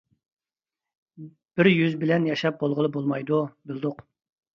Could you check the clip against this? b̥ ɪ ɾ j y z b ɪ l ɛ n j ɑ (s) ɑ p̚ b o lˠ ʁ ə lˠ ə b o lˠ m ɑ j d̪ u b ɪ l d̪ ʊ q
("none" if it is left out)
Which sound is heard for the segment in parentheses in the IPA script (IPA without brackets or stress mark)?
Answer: ʃ